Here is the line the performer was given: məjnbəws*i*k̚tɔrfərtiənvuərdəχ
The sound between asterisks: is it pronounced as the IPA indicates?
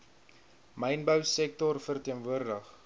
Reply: no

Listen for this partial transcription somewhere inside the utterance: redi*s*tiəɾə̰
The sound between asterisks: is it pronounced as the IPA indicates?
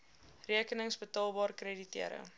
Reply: no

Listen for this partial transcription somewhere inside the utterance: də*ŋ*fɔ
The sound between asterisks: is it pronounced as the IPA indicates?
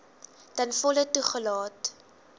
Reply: no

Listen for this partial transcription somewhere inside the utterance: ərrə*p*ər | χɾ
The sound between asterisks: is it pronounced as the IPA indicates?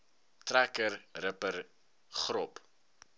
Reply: yes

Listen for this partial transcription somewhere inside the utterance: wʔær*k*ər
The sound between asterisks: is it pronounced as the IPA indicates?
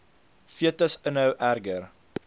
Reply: no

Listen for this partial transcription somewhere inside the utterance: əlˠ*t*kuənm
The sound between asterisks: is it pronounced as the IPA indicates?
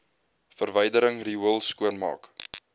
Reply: no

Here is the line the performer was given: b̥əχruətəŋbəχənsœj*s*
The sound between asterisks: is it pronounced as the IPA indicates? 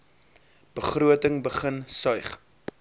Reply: no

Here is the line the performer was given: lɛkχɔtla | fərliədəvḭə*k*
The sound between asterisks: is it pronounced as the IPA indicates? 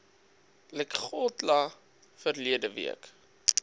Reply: yes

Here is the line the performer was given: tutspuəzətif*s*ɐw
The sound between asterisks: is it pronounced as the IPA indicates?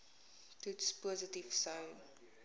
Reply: yes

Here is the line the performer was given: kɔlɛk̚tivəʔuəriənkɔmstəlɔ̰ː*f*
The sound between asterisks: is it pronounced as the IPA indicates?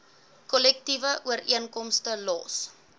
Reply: no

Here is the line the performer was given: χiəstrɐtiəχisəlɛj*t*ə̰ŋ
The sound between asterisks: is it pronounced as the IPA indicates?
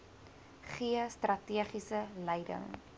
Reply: no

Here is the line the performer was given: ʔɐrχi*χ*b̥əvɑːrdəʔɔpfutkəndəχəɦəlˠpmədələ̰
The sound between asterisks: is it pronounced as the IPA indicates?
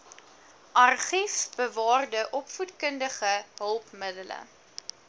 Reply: no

